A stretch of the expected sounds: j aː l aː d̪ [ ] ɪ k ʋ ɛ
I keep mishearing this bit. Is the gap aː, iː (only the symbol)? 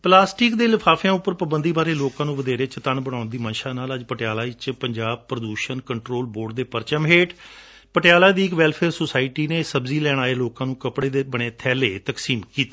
iː